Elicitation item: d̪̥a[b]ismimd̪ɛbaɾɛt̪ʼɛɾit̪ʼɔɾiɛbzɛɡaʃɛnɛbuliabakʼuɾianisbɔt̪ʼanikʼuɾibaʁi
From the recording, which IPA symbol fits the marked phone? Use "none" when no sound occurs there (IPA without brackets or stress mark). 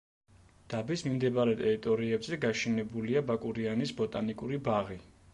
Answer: b